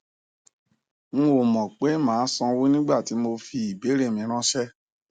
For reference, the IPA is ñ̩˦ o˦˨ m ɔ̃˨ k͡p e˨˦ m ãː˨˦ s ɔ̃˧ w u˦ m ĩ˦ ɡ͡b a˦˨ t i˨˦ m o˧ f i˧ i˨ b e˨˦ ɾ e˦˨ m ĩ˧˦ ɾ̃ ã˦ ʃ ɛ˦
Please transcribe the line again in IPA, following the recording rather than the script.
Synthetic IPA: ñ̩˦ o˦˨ m ɔ̃˨ k͡p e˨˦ m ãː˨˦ s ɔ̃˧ w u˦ n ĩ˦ ɡ͡b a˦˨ t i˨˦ m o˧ f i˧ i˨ b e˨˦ ɾ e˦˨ m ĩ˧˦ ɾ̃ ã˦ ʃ ɛ˦